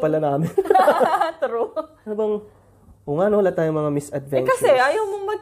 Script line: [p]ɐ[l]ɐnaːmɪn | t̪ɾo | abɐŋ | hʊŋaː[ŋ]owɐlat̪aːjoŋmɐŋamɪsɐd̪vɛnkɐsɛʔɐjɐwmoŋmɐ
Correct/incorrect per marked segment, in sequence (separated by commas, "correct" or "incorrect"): correct, correct, incorrect